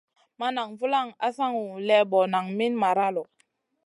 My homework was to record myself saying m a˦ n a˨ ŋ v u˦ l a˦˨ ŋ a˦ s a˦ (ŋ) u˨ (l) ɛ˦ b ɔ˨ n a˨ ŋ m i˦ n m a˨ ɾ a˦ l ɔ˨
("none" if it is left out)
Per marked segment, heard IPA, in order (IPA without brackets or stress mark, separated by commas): ŋ, l